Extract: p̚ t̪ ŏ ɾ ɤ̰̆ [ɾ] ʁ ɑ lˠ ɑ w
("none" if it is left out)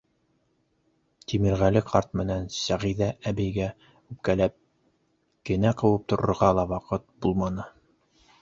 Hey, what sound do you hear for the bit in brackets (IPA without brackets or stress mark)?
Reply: ɾ